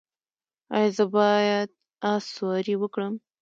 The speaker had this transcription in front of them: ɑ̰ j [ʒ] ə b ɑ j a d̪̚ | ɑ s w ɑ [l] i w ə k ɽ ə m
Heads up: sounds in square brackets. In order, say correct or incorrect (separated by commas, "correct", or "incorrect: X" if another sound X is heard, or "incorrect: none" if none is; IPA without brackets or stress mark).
incorrect: z, incorrect: ɾ